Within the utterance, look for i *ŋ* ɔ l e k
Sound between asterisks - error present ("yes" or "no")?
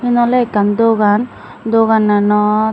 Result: yes